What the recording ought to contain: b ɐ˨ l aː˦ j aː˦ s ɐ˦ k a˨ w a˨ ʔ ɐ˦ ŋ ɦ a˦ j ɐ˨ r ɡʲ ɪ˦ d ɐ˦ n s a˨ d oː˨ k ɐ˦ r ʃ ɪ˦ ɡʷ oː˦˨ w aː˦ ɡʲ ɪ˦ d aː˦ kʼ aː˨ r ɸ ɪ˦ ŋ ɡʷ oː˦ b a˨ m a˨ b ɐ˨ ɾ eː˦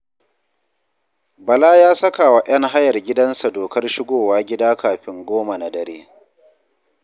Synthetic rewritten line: b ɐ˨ l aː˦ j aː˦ s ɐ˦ k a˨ w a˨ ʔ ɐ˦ ŋ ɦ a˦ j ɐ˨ r ɡʲ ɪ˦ d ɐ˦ n s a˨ d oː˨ k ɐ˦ r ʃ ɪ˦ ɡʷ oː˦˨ w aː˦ ɡʲ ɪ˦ d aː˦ k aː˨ ɸ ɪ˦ ŋ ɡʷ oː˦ m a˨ n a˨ d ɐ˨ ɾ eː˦

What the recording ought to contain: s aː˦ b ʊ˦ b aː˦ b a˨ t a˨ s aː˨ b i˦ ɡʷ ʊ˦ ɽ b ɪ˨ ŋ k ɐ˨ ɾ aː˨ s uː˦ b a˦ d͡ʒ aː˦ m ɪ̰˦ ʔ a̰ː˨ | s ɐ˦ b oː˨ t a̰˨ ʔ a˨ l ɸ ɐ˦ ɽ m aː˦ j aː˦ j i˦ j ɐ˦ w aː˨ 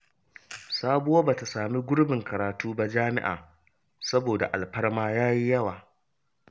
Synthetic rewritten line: s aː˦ b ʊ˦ w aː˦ b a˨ t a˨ s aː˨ m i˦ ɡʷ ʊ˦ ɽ b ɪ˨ ŋ k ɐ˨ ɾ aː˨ t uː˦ b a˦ d͡ʒ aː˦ m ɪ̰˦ ʔ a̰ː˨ | s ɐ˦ b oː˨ d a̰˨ ʔ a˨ l ɸ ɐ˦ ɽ m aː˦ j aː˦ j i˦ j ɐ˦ w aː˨

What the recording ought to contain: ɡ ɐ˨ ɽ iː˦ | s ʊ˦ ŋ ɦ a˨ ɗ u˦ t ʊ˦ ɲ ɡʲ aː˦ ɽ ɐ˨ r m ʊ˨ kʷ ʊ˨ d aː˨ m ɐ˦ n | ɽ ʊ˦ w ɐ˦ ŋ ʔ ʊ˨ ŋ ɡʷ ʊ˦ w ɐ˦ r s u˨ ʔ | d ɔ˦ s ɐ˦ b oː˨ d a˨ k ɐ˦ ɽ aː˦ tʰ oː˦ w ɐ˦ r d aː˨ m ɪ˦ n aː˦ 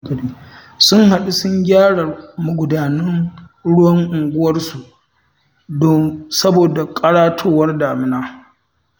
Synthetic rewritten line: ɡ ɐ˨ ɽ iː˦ | s ʊ˦ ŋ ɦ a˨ ɗ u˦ s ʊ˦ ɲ ɡʲ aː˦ ɽ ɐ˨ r m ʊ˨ ɡʷ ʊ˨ d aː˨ n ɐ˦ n | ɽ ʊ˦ w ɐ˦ ŋ ʔ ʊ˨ ŋ ɡʷ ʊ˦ w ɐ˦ r s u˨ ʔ | d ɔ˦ s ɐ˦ b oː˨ d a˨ kʼ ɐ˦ ɽ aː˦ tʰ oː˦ w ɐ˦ r d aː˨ m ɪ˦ n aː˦

